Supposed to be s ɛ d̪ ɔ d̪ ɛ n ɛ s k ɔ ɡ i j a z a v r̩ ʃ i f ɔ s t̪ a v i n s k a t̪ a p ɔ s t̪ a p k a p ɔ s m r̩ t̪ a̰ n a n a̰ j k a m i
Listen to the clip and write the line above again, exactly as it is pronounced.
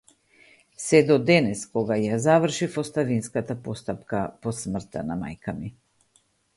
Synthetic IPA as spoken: s ɛ d̪ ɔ d̪ ɛ n ɛ s k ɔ ɡ a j a z a v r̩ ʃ i f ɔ s t̪ a v i n s k a t̪ a p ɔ s t̪ a p k a p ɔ s m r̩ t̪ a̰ n a m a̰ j k a m i

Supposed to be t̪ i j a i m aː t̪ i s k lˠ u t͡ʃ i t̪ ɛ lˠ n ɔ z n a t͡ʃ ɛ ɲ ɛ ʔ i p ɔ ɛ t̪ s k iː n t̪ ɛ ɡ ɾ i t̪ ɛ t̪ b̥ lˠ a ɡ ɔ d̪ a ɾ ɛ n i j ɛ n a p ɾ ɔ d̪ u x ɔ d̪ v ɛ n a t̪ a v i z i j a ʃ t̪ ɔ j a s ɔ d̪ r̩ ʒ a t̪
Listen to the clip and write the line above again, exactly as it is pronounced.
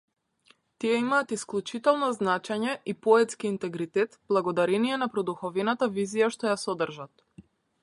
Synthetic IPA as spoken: t̪ i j ɛ i m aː t̪ i s k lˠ u t͡ʃ i t̪ ɛ lˠ n ɔ z n a t͡ʃ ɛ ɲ ɛ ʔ i p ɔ ɛ t̪ s k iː n t̪ ɛ ɡ ɾ i t̪ ɛ t̪ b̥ lˠ a ɡ ɔ d̪ a ɾ ɛ n i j ɛ n a p ɾ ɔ d̪ u x ɔ v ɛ n a t̪ a v i z i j a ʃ t̪ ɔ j a s ɔ d̪ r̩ ʒ a t̪

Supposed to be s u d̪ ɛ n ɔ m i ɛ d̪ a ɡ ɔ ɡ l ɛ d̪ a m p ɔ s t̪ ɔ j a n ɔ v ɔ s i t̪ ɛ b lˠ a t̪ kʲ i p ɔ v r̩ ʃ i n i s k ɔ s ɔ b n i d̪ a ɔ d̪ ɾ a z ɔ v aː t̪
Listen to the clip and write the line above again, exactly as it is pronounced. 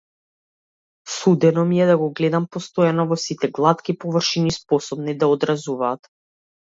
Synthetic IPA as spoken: s u d̪ ɛ n ɔ m i ɛ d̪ a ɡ ɔ ɡ l ɛ d̪ a m p ɔ s t̪ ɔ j a n ɔ v ɔ s i t̪ ɛ ɡ lˠ a t̪ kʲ i p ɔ v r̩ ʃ i n i s p ɔ s ɔ b n i d̪ a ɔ d̪ ɾ a z u v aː t̪

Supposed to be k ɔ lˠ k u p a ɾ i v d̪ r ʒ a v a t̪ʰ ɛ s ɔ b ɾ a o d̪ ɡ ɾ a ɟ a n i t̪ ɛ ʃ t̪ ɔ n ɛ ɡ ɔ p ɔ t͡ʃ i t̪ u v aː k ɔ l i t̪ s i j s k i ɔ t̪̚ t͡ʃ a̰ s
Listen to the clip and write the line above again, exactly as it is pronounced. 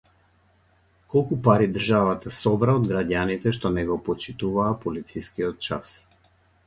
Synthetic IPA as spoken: k ɔ lˠ k u p a ɾ i d̪ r ʒ a v a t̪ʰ a s ɔ b ɾ a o d̪ ɡ ɾ a ɟ a n i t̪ ɛ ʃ t̪ ɔ n ɛ ɡ ɔ p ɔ t͡ʃ i t̪ u v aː p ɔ l i t̪ s i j s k i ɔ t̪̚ t͡ʃ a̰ s

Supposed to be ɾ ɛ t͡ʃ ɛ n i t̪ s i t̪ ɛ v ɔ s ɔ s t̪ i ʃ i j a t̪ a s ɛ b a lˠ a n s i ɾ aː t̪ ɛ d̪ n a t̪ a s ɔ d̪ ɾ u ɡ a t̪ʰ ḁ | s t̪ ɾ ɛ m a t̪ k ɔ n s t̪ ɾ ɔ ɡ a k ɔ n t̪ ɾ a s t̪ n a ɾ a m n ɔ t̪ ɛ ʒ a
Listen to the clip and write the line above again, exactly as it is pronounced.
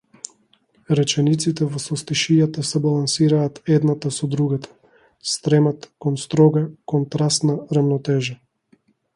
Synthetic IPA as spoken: ɾ ɛ t͡ʃ ɛ n i t̪ s i t̪ ɛ v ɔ s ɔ s t̪ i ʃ i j a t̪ a s ɛ b a lˠ a n s i ɾ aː t̪ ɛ d̪ n a t̪ a s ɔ d̪ ɾ u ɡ a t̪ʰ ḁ | s t̪ ɾ ɛ m a t̪ k ɔ n s t̪ ɾ ɔ ɡ a k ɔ n t̪ ɾ a s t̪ n a ɾ a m n ɔ t̪ ɛ ʒ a

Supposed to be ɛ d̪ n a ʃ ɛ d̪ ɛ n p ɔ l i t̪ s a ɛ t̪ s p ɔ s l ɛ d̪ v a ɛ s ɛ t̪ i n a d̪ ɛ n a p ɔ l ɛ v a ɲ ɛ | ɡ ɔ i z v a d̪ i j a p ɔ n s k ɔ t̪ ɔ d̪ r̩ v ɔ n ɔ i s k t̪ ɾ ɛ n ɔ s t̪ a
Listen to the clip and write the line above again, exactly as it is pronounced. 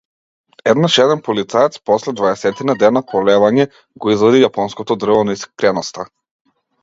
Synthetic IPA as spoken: ɛ d̪ n a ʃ ɛ d̪ ɛ n p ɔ l i t̪ s a ɛ t̪ s p ɔ s l ɛ d̪ v a ɛ s ɛ t̪ i n a d̪ ɛ n a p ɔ l ɛ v a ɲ ɛ | ɡ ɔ i z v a d̪ i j a p ɔ n s k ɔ t̪ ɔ d̪ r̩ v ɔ n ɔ i s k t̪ ɾ ɛ n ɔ s t̪ a

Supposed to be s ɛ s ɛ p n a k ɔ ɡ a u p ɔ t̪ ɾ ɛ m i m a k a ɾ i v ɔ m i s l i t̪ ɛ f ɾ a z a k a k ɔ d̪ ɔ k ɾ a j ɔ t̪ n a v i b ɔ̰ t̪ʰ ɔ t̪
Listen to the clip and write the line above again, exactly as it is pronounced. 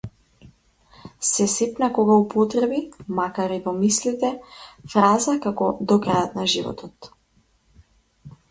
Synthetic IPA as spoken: s ɛ s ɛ p n a k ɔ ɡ a u p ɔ t̪ ɾ ɛ b i m a k a ɾ i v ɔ m i s l i t̪ ɛ f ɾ a z a k a k ɔ d̪ ɔ k ɾ a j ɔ t̪ n a ʒ i v ɔ̰ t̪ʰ ɔ t̪

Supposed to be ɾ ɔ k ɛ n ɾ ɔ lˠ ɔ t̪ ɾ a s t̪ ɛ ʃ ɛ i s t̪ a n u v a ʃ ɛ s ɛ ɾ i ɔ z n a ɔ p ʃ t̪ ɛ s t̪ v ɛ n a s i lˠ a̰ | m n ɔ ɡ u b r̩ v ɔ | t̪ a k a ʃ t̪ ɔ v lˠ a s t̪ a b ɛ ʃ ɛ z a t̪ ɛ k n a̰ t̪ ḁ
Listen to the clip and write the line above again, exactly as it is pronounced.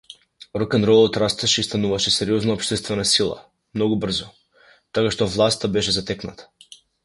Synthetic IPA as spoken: ɾ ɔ k ɛ n ɾ ɔ lˠ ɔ t̪ ɾ a s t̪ ɛ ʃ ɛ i s t̪ a n u v a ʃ ɛ s ɛ ɾ i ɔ z n a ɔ p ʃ t̪ ɛ s t̪ v ɛ n a s i lˠ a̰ | m n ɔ ɡ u b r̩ z ɔ | t̪ a k a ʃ t̪ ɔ v lˠ a s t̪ a b ɛ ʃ ɛ z a t̪ ɛ k n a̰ t̪ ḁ

